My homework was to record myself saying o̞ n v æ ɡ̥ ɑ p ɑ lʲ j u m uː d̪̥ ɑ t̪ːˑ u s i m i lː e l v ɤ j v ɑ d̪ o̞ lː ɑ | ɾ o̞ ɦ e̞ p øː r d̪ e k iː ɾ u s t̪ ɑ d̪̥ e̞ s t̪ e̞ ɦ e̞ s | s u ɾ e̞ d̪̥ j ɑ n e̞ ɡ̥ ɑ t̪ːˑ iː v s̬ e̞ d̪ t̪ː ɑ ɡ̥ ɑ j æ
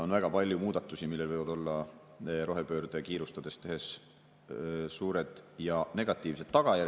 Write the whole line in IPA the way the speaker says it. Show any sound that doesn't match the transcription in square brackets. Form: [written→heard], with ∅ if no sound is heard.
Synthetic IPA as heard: o̞ n v æ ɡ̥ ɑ p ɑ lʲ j u m uː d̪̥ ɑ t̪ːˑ u s i m i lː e l v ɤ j v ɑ d̪ o̞ lː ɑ | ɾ o̞ ɦ e̞ p øː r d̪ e k iː ɾ u s t̪ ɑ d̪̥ e̞ s t̪ e̞ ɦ e̞ s | s [u→uː] ɾ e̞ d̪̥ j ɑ n e̞ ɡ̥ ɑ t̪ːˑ iː v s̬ e̞ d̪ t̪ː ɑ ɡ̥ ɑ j æ